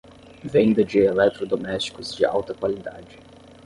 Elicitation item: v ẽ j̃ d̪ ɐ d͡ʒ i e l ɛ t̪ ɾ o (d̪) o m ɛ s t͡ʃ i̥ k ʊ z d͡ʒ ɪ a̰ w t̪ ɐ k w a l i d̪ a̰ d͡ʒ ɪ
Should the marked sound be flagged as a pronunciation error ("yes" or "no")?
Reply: no